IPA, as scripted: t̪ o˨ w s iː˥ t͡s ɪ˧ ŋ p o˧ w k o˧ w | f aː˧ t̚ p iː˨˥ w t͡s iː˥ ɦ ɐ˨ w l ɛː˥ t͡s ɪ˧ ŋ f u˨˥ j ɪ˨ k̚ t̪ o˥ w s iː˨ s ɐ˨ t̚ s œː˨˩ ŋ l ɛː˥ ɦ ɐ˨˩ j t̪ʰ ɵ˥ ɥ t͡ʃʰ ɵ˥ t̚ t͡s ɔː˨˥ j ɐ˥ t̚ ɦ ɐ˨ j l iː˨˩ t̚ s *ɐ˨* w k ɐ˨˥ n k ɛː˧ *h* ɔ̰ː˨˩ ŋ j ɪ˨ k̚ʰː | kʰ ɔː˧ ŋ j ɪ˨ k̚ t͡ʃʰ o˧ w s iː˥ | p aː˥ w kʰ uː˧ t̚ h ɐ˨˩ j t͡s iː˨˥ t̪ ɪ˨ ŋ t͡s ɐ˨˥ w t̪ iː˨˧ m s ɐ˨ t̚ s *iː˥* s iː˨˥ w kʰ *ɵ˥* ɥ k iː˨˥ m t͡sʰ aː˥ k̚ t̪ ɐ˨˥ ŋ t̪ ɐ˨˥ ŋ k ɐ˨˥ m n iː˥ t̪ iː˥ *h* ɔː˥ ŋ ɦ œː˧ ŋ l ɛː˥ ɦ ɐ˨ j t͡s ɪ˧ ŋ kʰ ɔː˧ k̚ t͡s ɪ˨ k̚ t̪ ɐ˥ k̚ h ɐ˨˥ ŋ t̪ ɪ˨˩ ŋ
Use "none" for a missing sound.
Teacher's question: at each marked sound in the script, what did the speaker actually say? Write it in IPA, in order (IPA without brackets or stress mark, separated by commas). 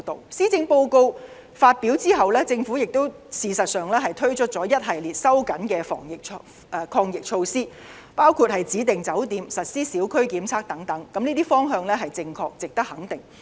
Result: ɐ˥, f, iː˥, ɵ˥, f